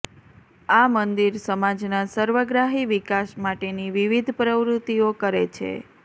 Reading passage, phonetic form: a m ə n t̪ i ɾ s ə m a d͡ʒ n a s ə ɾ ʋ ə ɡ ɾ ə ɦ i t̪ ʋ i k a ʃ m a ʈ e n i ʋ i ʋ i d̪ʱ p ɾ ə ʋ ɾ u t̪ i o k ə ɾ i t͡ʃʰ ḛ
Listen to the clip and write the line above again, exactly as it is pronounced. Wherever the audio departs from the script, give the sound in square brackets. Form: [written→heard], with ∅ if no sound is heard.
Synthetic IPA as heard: a m ə n [t̪→d̪] i ɾ s ə m a d͡ʒ n a s ə ɾ ʋ ə ɡ ɾ [ə→a] ɦ i [t̪→∅] ʋ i k a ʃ m a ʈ e n i ʋ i ʋ i d̪ʱ p ɾ ə ʋ ɾ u t̪ i o k ə ɾ [i→e] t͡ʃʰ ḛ

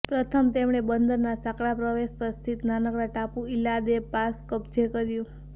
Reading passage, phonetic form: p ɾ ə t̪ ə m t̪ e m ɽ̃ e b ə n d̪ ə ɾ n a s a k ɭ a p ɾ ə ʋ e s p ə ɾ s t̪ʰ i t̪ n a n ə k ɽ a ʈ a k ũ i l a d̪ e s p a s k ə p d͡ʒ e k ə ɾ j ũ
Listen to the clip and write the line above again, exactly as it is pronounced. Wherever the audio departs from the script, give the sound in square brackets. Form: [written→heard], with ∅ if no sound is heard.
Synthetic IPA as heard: p ɾ ə [t̪→t̪ʰ] ə m t̪ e m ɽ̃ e b ə n d̪ ə ɾ n a s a k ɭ a p ɾ ə ʋ e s p ə ɾ s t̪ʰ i t̪ n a n ə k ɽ a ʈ a [k→p] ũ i l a d̪ e [s→∅] p a s k ə p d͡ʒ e k ə ɾ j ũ

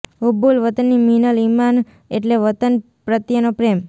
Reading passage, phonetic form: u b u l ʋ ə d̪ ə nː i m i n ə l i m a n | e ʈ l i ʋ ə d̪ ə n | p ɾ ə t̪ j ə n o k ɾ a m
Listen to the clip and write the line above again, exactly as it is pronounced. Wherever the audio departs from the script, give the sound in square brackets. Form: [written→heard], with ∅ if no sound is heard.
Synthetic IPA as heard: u b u l ʋ ə [d̪→t̪] ə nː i m i n ə l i m a n | e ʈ l [i→e] ʋ ə [d̪→t̪] ə n | p ɾ ə t̪ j ə n o [k→p] ɾ [a→e] m

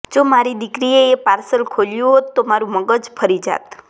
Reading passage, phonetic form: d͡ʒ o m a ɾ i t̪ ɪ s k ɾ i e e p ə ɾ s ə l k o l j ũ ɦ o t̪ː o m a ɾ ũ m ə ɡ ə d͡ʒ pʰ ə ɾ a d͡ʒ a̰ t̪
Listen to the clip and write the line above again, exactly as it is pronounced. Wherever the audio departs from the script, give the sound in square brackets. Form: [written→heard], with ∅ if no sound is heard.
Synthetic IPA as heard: d͡ʒ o m a ɾ i [t̪→d̪] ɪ [s→∅] k ɾ i e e p [ə→a] ɾ s ə l [k→kʰ] o l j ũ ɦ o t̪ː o m a ɾ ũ m ə ɡ ə d͡ʒ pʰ ə ɾ [a→i] d͡ʒ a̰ t̪

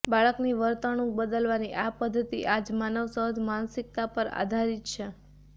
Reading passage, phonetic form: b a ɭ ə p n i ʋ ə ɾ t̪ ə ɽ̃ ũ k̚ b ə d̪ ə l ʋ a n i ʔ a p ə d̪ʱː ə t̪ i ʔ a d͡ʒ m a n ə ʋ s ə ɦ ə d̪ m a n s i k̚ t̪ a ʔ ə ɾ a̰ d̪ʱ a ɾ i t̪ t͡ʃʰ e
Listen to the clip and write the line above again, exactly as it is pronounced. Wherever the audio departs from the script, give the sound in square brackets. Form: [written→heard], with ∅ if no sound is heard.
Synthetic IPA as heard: b a ɭ ə [p→k] n i ʋ ə ɾ t̪ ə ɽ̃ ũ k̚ b ə d̪ ə l ʋ a n i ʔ a p ə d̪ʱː ə t̪ i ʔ a d͡ʒ m a n ə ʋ s ə ɦ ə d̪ m a n s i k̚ t̪ a [ʔ→p] ə ɾ a̰ d̪ʱ a ɾ i t̪ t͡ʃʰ e

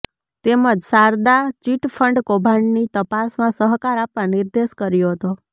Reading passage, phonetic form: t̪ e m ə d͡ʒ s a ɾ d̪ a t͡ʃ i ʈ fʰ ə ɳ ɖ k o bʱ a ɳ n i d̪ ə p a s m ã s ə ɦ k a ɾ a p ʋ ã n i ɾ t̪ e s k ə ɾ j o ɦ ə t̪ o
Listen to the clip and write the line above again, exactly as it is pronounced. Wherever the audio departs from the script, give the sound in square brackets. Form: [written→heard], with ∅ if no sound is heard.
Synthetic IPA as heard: t̪ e m ə d͡ʒ s a ɾ d̪ a t͡ʃ i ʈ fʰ ə ɳ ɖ k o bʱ a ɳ n i [d̪→t̪] ə p a s m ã s ə ɦ k a ɾ a p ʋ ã n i ɾ [t̪→d̪] e [s→ʃ] k ə ɾ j o ɦ ə t̪ o

